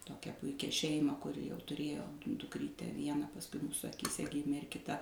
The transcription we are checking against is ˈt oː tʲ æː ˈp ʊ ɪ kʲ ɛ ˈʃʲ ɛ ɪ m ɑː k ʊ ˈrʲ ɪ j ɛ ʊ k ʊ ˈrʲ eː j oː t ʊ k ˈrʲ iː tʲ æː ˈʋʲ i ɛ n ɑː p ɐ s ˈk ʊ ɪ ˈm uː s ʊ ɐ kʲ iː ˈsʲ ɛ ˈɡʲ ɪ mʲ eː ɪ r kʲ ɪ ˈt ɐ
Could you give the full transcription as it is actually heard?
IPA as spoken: ˈt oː kʲ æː ˈp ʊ ɪ kʲ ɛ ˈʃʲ ɛ ɪ m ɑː k ʊ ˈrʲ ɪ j ɛ ʊ t ʊ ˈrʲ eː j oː d ʊ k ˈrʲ iː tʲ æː ˈʋʲ i ɛ n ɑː p ɐ s ˈk ʊ ɪ ˈm uː s ʊ ɐ kʲ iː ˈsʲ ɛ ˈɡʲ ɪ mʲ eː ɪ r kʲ ɪ ˈt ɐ